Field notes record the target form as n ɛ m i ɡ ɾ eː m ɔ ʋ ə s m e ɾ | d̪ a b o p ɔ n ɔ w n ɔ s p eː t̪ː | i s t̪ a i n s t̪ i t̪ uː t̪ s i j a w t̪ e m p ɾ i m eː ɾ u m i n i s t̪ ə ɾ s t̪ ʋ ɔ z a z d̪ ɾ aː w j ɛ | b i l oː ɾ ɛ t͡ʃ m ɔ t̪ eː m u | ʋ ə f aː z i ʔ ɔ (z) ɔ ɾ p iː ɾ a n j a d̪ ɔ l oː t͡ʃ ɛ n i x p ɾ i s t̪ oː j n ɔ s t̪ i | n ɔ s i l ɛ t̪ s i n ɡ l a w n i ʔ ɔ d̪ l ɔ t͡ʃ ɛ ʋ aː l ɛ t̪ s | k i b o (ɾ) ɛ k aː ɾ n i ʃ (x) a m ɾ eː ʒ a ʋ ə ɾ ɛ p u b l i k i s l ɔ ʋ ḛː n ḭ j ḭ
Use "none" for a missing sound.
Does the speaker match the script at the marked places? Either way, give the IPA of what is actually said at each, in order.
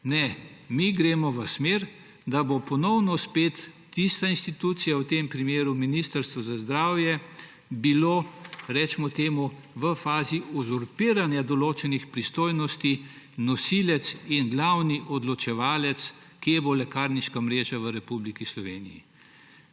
z, l, k

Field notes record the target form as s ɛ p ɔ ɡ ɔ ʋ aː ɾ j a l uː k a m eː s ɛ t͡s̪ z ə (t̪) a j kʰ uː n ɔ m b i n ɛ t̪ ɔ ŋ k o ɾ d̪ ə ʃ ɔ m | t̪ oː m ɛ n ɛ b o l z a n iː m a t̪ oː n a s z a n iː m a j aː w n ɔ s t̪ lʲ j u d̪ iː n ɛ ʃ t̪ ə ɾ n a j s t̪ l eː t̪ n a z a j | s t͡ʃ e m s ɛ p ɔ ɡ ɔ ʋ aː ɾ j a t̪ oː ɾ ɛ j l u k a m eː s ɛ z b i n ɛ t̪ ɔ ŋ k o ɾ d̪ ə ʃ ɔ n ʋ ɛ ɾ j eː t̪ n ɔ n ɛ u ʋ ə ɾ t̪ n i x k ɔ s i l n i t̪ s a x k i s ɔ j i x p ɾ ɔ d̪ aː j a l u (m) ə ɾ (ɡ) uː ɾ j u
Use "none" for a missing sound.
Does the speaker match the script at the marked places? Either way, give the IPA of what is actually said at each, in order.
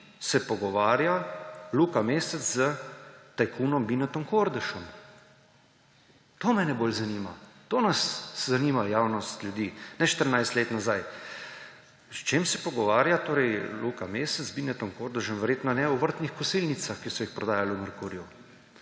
t̪, m, k

